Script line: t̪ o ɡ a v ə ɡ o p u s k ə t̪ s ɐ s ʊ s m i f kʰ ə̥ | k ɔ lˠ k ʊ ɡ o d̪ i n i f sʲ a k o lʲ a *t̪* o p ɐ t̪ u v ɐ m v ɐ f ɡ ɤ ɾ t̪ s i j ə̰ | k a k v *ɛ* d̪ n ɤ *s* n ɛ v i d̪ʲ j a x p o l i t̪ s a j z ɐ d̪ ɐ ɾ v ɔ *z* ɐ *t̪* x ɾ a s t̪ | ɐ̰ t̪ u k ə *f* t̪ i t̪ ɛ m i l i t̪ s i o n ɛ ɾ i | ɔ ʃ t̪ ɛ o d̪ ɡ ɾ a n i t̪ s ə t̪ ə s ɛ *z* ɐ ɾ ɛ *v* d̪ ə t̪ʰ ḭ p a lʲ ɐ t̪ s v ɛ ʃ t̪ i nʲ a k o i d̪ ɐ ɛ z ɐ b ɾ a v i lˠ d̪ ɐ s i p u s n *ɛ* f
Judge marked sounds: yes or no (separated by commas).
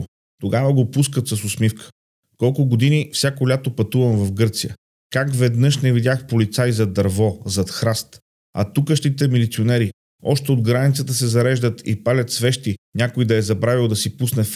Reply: yes, yes, no, yes, yes, no, yes, no, yes